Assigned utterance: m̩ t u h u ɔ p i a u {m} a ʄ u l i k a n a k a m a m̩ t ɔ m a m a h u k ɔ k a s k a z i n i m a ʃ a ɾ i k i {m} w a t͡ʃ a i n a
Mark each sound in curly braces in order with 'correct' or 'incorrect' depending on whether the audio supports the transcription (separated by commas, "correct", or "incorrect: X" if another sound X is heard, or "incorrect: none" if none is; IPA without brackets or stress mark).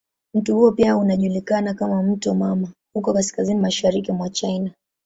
incorrect: n, correct